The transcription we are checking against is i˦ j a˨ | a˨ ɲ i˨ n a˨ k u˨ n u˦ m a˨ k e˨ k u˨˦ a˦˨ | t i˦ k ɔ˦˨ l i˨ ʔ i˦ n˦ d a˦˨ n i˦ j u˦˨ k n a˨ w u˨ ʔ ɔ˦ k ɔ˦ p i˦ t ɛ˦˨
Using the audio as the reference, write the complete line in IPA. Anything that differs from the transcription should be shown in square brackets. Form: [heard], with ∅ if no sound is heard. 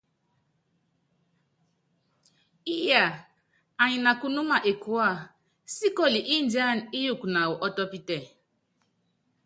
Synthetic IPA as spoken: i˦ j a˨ | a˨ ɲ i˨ n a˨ k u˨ n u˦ m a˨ [ʔ] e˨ k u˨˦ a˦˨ | [s] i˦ k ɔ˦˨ l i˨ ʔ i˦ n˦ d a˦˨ n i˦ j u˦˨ k n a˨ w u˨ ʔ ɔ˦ [t] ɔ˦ p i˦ t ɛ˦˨

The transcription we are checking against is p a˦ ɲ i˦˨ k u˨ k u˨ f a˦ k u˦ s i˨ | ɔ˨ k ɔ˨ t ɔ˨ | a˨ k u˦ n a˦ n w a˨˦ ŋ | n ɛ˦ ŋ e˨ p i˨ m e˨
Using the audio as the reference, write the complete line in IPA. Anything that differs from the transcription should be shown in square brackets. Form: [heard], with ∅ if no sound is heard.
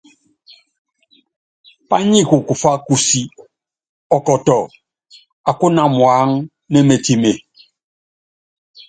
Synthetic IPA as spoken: p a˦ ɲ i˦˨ k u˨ k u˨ f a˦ k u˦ s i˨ | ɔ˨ k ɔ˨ t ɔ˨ | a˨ k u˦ n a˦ [m] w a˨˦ ŋ | n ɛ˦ [m] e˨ [t] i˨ m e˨

